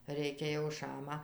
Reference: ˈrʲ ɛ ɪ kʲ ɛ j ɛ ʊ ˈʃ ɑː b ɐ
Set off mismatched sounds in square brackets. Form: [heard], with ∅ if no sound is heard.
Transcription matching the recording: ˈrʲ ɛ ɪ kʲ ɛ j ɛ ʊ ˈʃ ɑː [m] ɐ